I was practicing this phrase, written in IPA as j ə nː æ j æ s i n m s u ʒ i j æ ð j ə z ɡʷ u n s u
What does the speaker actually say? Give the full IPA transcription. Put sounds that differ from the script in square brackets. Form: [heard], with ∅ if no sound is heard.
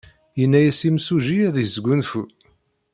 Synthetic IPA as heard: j ə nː æ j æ s i [∅] m s u ʒ i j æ ð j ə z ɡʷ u n [f] u